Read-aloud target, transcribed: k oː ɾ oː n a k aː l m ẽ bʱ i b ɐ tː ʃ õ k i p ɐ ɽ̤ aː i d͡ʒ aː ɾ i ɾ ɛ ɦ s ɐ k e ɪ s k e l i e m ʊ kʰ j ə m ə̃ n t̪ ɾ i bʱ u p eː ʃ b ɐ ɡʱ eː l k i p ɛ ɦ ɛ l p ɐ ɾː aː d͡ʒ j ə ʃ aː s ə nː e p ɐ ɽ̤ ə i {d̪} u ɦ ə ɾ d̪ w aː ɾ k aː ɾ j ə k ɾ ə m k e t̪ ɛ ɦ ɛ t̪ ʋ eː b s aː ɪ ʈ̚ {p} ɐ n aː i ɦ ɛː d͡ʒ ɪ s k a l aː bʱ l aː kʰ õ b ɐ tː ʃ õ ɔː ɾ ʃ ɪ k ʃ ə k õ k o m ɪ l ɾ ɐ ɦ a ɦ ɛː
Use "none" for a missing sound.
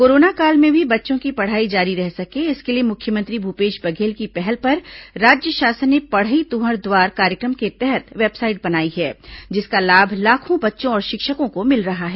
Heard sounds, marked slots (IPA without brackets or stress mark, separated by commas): t̪, b